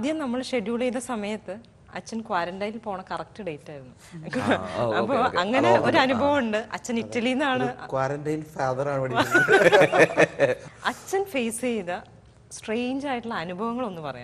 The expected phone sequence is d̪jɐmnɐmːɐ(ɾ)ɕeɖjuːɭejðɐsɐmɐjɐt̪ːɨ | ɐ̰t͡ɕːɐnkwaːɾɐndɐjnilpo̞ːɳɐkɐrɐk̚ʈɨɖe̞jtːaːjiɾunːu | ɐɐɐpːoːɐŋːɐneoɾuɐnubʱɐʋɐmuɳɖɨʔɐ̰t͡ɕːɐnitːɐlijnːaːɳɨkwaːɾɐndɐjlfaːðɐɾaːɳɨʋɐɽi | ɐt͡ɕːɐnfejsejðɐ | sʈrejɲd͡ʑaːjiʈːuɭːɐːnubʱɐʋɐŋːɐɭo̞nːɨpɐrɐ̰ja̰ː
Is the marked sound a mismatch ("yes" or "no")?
yes